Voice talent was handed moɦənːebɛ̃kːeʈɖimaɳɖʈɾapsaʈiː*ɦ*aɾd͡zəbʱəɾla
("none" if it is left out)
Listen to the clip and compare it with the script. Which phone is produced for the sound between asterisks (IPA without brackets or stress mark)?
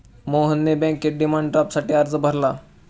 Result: none